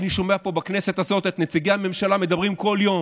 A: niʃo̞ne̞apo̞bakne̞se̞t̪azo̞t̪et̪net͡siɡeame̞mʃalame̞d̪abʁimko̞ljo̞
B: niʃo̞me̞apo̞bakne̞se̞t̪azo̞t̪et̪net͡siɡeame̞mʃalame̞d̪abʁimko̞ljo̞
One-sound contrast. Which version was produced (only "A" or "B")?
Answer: B